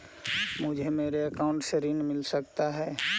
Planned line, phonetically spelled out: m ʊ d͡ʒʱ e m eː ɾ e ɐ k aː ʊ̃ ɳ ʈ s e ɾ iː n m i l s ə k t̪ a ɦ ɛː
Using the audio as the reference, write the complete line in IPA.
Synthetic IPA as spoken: m ʊ d͡ʒʱ e m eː ɾ e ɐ k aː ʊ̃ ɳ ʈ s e ɾ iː n m ɪ l s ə k t̪ a ɦ ɛː